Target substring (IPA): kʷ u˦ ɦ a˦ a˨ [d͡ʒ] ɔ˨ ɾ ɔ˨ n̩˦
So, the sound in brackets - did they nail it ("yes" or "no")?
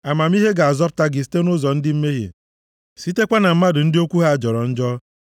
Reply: yes